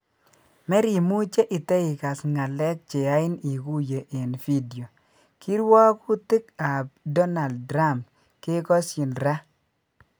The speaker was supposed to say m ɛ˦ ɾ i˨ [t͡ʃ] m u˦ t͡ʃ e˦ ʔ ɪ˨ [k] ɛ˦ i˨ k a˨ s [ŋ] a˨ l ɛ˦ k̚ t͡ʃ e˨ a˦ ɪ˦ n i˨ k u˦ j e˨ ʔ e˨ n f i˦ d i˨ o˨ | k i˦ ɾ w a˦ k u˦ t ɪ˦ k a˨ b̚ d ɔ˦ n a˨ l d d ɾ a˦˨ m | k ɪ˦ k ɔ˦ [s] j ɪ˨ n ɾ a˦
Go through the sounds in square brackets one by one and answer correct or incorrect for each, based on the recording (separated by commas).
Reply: incorrect, incorrect, correct, correct